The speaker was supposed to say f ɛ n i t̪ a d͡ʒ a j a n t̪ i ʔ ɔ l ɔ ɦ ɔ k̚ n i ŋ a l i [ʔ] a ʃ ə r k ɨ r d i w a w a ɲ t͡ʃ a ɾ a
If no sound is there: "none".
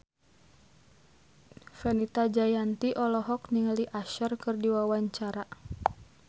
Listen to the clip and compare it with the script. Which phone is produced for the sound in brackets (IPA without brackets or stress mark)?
ʔ